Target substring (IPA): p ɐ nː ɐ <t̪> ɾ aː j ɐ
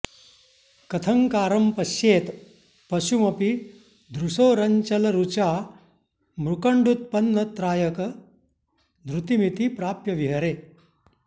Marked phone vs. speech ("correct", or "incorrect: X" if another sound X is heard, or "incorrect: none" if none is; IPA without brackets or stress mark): correct